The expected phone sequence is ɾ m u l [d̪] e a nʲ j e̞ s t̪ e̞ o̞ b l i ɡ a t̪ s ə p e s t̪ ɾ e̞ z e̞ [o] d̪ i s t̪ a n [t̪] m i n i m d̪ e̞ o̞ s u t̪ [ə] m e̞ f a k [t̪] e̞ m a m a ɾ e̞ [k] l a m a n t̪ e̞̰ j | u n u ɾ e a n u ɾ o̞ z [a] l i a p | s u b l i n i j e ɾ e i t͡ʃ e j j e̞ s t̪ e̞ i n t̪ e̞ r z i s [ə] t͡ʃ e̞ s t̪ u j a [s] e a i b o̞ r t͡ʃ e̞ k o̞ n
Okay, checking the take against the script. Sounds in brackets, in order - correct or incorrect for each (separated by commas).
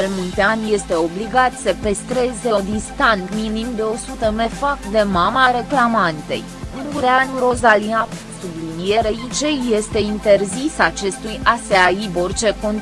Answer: incorrect, correct, correct, correct, incorrect, correct, correct, incorrect, correct